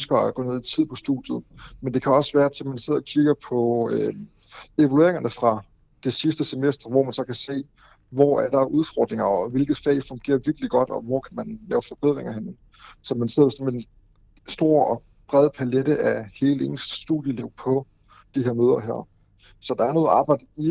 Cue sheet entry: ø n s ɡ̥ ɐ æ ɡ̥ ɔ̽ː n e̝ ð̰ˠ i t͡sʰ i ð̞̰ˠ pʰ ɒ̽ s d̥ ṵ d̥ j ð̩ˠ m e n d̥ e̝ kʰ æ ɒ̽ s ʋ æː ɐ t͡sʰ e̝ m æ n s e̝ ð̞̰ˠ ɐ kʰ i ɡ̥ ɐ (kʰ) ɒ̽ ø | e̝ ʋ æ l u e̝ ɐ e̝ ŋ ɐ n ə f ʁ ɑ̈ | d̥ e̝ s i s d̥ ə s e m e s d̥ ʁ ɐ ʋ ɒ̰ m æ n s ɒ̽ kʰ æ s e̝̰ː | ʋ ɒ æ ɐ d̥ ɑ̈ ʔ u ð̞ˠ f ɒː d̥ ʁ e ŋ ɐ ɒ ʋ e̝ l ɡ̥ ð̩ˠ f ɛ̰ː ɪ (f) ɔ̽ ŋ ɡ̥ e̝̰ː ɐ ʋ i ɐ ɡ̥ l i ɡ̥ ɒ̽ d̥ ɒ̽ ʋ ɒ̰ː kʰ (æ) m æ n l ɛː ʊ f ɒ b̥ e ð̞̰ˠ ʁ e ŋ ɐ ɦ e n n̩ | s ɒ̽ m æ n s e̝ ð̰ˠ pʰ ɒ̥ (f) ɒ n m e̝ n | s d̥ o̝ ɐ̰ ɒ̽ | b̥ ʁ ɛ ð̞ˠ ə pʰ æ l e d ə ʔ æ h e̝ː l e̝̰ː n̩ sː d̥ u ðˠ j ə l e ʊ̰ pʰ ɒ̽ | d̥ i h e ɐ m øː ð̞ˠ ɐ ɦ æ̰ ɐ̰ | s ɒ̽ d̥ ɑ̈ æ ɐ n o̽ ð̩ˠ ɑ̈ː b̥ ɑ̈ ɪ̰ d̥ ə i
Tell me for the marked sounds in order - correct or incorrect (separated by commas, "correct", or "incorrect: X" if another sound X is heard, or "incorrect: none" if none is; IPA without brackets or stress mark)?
incorrect: pʰ, correct, correct, incorrect: s